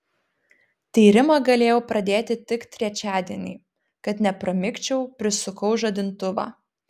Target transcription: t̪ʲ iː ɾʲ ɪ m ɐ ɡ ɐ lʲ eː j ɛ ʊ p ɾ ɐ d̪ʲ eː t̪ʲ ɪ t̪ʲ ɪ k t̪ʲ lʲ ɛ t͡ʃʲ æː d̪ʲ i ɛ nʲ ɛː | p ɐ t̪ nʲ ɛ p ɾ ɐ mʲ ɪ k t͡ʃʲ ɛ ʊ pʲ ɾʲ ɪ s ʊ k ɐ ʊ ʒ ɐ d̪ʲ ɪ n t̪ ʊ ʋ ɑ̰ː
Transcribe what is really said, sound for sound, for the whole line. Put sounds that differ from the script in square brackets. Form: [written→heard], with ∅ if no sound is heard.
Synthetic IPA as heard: t̪ʲ iː ɾʲ ɪ m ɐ ɡ ɐ lʲ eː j ɛ ʊ p ɾ ɐ d̪ʲ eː t̪ʲ ɪ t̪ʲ ɪ k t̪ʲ [lʲ→ɾʲ] ɛ t͡ʃʲ æː d̪ʲ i ɛ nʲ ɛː | [p→k] ɐ t̪ nʲ ɛ p ɾ ɐ mʲ ɪ k t͡ʃʲ ɛ ʊ pʲ ɾʲ ɪ s ʊ k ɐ ʊ ʒ ɐ d̪ʲ ɪ n t̪ ʊ ʋ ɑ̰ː